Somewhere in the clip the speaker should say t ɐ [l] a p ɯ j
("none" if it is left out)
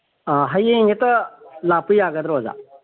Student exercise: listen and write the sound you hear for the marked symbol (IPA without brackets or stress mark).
l